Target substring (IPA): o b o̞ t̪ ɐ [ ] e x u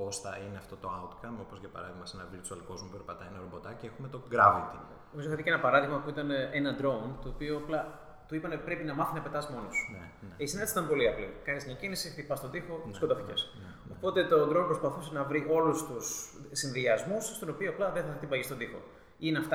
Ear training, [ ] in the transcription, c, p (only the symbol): c